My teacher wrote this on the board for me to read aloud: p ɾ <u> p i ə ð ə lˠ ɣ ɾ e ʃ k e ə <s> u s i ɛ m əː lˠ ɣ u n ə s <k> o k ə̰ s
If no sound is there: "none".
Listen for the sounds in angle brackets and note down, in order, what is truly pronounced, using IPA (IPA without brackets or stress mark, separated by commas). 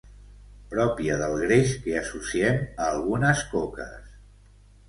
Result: ɔ, s, k